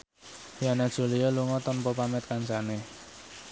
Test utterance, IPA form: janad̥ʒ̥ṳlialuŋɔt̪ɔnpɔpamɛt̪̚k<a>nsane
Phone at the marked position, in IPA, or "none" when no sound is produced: a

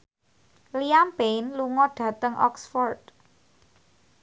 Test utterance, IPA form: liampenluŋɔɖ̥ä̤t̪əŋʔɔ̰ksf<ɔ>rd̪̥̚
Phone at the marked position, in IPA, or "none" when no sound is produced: ɔ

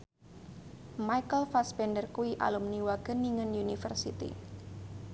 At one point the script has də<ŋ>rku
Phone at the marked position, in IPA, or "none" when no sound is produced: none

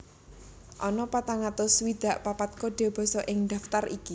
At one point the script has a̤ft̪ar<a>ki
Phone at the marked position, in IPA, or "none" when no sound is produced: i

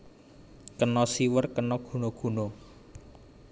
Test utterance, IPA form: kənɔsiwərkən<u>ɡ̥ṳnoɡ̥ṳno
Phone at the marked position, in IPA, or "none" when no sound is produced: ɔ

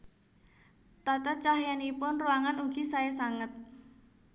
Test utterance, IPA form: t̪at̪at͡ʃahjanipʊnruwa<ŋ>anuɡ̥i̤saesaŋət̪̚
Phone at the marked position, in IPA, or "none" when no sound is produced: ŋ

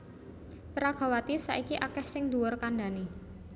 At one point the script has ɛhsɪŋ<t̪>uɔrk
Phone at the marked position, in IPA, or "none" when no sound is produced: d̪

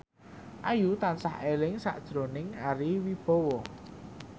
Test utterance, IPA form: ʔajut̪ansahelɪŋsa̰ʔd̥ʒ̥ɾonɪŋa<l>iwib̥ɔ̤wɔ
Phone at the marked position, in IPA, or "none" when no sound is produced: ɾ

